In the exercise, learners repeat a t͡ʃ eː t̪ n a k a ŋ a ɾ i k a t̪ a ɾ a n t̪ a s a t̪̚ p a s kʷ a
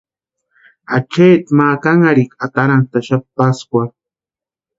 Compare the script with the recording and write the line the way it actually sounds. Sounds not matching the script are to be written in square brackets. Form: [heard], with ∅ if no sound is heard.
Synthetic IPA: a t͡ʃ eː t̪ [m] a k a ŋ a ɾ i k a t̪ a ɾ a n t̪ a [ʃ] a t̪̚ p a s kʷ a